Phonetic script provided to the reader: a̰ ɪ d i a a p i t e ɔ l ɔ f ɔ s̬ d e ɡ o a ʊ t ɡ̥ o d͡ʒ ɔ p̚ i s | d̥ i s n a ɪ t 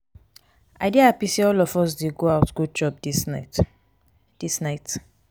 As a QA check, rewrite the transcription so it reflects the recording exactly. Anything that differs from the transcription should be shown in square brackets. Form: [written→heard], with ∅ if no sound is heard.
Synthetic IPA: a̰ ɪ d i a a p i [t→s] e ɔ l ɔ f ɔ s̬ d e ɡ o a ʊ t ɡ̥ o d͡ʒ ɔ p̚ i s | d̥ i s n a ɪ t

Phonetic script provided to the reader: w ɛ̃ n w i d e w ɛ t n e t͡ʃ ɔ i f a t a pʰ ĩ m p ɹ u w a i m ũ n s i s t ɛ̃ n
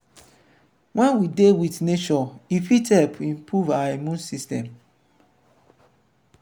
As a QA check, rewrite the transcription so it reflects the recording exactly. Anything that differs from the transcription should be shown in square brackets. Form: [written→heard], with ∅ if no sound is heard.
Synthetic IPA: w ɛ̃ n w i d e w [ɛ→i] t n e t͡ʃ ɔ i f [a→i] t [a→ɛ] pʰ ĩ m p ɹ u [w→v] a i m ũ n s i s t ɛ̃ [n→m]

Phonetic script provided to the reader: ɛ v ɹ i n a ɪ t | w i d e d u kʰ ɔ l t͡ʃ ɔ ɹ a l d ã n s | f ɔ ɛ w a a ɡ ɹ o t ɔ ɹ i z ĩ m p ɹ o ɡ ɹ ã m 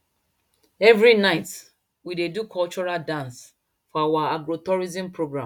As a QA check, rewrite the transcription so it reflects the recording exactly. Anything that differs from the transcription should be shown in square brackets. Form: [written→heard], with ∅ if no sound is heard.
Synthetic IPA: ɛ v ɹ i n a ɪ t | w i d e d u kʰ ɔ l t͡ʃ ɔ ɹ a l d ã n s | f ɔ [ɛ→a] w a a ɡ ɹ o t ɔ ɹ i z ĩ m p ɹ o ɡ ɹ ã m

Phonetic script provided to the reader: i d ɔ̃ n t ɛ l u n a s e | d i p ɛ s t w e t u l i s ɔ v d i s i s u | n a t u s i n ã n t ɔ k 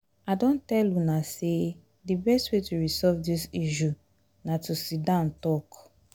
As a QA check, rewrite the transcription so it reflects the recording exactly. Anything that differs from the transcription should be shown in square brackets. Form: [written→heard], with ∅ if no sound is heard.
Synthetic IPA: [i→a] d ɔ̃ n t ɛ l u n a s e | d i [p→b] ɛ s t w e t u [l→ɹ] i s ɔ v d i s i [s→ʃ] u | n a t u s i [n→d] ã n t ɔ k

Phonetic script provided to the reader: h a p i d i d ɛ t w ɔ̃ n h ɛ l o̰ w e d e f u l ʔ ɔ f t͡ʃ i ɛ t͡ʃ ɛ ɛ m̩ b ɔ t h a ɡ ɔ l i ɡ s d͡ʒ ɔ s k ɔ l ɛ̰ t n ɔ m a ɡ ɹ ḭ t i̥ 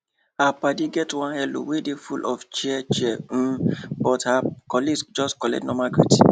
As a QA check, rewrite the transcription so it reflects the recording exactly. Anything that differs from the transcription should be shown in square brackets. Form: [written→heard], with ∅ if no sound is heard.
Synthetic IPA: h a p [i→a] d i [d→ɡ] ɛ t w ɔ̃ n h ɛ l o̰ w e d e f u l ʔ ɔ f t͡ʃ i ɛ t͡ʃ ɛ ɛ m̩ b ɔ t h a [ɡ→k] ɔ l i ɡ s d͡ʒ ɔ s k ɔ l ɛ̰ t n ɔ m a ɡ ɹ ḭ t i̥

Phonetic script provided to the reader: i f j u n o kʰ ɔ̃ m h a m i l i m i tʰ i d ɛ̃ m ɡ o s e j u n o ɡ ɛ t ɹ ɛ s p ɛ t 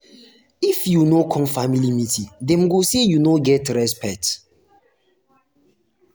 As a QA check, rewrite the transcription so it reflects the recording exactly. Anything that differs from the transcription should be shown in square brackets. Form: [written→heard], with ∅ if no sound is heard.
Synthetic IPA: i f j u n o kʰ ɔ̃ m [h→f] a m i l i m i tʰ i d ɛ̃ m ɡ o s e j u n o ɡ ɛ t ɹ ɛ s p ɛ t

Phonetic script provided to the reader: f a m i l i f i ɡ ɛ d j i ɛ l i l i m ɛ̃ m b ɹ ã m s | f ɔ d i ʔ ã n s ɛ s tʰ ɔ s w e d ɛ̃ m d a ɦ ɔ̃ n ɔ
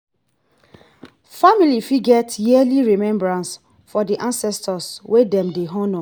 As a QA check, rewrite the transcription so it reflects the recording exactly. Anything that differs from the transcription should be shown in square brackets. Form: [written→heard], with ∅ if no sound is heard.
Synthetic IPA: f a m i l i f i ɡ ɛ [d→t] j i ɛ l i [l→ɹ] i m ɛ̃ m b ɹ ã [m→n] s | f ɔ d i ʔ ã n s ɛ s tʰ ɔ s w e d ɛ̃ m d [a→e] ɦ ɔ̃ n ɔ

